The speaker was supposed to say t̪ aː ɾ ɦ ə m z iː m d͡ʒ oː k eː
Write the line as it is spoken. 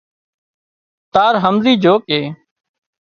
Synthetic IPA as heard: t̪ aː ɾ ɦ ə m z iː d͡ʒ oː k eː